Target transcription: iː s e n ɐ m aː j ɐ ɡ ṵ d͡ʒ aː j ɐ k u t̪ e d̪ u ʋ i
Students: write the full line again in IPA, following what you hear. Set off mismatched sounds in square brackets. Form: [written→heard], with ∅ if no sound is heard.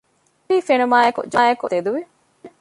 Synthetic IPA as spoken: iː [s→f] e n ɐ m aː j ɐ [ɡ→k] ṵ d͡ʒ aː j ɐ k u t̪ e d̪ u ʋ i